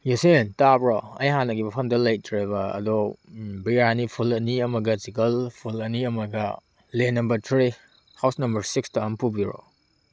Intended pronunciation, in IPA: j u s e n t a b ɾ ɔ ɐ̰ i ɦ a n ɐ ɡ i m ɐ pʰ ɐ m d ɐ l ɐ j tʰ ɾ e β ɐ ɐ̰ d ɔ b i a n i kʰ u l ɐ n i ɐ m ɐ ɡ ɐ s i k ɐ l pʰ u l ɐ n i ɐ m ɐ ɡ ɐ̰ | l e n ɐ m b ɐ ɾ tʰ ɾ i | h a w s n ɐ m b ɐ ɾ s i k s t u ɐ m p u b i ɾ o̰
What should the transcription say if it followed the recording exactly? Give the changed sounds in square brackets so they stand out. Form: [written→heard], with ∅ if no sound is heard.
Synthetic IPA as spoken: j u s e n t a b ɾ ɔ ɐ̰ [i→j] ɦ a n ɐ ɡ i m ɐ pʰ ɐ m d ɐ l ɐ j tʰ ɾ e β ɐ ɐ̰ d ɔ b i a n i [kʰ→pʰ] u l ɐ n i ɐ m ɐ ɡ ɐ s i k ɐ l pʰ u l ɐ n i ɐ m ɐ ɡ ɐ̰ | l e n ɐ m b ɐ ɾ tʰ ɾ i | h a w s n ɐ m b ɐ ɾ s i k s t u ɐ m p u b i ɾ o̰